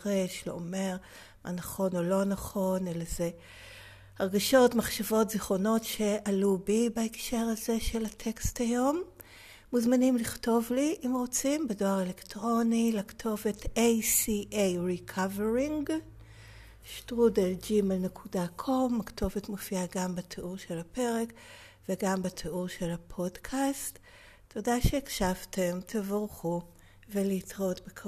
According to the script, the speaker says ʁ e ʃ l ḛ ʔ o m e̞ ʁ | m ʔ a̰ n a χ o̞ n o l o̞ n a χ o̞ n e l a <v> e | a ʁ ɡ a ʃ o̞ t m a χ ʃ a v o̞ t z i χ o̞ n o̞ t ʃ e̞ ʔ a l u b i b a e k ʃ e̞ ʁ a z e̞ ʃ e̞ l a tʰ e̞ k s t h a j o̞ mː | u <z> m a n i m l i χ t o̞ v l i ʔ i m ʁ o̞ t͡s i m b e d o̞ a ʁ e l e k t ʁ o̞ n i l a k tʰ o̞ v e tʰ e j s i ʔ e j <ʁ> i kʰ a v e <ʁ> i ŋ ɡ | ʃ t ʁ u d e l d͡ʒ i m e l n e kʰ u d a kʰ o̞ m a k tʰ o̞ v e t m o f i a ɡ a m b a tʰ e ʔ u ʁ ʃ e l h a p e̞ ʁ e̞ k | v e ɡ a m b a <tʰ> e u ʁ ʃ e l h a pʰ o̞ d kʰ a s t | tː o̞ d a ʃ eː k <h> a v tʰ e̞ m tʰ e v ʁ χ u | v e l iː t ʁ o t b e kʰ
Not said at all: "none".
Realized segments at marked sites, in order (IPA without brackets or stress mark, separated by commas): z, z, ʁ, ʁ, tʰ, ʃ